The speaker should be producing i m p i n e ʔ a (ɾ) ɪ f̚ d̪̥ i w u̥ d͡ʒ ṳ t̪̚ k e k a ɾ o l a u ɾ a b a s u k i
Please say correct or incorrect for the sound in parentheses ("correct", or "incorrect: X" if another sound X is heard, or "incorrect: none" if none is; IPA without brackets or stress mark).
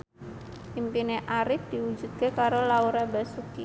correct